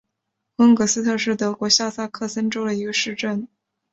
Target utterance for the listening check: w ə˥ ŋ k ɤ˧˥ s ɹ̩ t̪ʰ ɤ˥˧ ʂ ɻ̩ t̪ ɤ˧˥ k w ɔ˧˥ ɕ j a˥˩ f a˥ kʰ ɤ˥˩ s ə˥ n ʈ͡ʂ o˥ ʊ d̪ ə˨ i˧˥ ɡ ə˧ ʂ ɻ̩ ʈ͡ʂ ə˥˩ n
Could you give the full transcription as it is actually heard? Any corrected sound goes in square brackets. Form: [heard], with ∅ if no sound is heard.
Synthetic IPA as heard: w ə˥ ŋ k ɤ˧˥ s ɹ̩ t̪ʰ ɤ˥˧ ʂ ɻ̩ t̪ ɤ˧˥ k w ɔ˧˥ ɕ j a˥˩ [s] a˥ kʰ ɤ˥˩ s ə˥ n ʈ͡ʂ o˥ ʊ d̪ ə˨ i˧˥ ɡ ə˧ ʂ ɻ̩ ʈ͡ʂ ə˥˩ n